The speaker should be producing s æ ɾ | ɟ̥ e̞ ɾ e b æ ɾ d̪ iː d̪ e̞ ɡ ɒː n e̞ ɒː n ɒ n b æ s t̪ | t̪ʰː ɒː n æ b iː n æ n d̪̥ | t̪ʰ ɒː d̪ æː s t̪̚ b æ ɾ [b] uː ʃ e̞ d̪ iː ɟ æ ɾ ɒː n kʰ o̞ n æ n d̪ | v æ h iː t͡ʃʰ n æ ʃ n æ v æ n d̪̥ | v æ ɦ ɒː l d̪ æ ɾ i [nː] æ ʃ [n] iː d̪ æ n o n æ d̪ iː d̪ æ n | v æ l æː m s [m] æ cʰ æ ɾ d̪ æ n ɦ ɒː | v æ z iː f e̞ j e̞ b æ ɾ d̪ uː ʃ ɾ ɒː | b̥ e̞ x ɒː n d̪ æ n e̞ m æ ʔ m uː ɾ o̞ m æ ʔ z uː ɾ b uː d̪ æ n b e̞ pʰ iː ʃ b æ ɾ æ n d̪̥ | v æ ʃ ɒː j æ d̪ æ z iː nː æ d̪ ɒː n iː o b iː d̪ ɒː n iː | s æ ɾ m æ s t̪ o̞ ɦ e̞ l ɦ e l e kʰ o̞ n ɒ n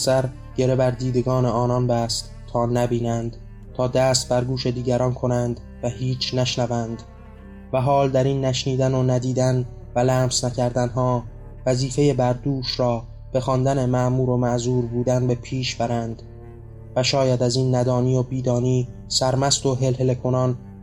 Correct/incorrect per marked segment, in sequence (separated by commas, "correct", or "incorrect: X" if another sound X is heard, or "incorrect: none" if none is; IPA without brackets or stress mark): incorrect: ɡ, correct, correct, incorrect: n